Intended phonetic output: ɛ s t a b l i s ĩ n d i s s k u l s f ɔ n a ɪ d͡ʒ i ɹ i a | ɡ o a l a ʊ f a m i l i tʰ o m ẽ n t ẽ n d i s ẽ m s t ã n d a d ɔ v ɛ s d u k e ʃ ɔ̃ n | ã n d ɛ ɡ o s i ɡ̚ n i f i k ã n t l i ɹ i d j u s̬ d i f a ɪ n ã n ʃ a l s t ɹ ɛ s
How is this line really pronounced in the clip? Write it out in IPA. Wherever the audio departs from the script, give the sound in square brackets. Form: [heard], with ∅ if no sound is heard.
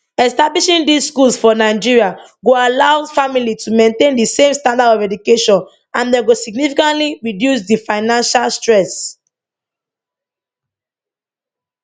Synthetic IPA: ɛ s t a b l i [ʃ] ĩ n d i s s k u l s f ɔ n a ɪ d͡ʒ i ɹ i a | ɡ o a l a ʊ f a m i l i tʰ [u] m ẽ n t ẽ n d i s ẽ m s t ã n d a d ɔ v ɛ [∅] d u k e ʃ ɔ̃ n | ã n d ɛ ɡ o s i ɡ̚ n i f i k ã n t l i ɹ i d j u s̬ d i f a ɪ n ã n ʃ a l s t ɹ ɛ s